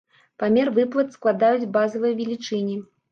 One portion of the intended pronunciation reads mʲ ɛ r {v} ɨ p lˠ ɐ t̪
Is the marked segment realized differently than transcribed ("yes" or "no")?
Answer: no